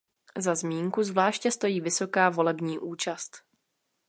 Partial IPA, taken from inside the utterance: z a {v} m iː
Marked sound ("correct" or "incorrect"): incorrect